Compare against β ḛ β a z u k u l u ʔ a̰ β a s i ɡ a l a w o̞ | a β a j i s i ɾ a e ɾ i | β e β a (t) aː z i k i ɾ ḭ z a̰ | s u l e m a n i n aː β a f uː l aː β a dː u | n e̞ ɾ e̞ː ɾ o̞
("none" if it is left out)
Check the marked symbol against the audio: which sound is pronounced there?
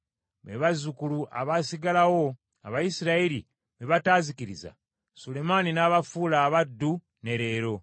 t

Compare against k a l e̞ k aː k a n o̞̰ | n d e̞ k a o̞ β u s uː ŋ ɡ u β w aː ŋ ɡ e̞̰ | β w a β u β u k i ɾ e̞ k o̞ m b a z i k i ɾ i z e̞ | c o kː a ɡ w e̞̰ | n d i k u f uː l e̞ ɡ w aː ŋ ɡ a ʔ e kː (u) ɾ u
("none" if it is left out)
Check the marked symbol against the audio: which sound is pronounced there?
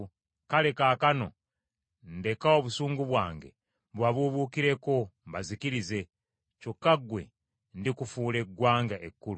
u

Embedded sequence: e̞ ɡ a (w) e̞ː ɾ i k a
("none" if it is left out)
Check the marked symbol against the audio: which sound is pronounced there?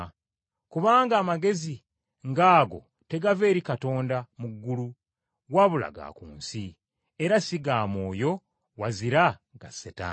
v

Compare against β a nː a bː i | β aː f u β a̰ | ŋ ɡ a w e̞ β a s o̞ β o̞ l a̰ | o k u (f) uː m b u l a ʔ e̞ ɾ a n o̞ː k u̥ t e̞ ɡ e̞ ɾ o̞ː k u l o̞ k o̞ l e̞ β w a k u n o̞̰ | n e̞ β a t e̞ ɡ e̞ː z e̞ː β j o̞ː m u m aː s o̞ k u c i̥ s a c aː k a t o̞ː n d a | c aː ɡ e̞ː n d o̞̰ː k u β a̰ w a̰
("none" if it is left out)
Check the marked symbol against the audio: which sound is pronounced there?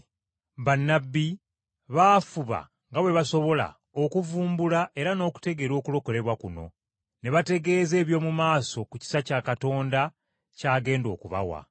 v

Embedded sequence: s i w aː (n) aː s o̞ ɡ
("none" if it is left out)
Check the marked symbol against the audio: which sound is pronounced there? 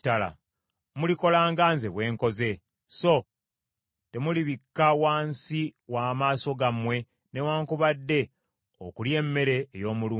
m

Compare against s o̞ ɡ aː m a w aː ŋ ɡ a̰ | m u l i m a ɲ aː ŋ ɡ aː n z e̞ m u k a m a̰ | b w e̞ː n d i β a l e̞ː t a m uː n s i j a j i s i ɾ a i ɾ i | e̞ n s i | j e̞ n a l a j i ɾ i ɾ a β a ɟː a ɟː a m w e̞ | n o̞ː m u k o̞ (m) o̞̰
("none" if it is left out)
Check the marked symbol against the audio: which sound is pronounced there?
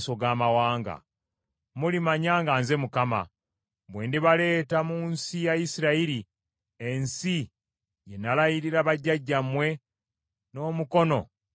n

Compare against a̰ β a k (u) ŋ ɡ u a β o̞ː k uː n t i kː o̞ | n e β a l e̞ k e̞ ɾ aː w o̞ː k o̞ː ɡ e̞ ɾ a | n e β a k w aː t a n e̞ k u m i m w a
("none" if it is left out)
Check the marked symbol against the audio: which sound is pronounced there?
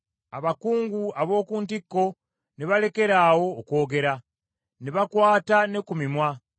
uː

